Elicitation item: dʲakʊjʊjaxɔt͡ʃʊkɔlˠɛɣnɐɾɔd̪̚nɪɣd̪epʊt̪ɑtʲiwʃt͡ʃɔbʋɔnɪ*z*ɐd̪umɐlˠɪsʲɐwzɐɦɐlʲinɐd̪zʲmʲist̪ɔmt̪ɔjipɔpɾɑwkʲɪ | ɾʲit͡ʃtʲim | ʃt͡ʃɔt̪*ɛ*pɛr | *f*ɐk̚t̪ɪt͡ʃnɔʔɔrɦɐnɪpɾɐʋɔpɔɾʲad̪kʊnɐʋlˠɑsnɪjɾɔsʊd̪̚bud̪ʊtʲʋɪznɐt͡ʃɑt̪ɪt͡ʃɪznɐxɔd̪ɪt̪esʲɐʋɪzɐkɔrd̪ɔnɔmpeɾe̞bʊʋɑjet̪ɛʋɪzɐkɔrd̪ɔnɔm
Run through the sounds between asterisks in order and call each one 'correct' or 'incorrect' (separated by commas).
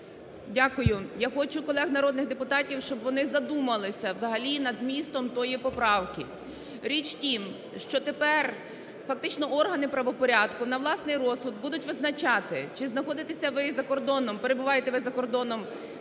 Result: correct, incorrect, correct